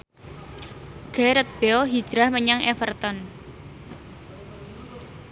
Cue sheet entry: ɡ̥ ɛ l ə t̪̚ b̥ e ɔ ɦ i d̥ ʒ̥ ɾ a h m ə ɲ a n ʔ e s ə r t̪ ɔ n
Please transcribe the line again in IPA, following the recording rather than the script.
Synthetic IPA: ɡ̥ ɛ ɾ ə t̪̚ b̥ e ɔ ɦ i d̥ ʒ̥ ɾ a h m ə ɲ a ŋ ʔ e f ə r t̪ ɔ n